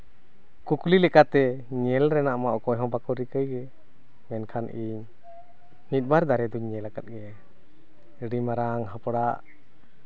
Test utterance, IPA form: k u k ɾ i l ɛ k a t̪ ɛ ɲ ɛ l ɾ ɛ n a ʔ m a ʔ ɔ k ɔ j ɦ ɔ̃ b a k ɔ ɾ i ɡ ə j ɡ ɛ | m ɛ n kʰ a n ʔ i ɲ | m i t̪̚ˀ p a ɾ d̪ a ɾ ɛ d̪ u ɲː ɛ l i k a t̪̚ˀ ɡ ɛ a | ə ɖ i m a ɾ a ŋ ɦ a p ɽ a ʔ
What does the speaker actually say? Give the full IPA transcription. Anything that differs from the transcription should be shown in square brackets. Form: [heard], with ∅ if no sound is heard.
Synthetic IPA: k u k [l] i l ɛ k a t̪ ɛ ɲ ɛ l ɾ ɛ n a ʔ m a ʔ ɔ k ɔ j ɦ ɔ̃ b a k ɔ ɾ i [k] ə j ɡ ɛ | m ɛ n kʰ a n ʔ i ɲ | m i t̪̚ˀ [b] a ɾ d̪ a ɾ ɛ d̪ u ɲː ɛ l [a] k a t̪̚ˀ ɡ ɛ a | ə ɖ i m a ɾ a ŋ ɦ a p ɽ a ʔ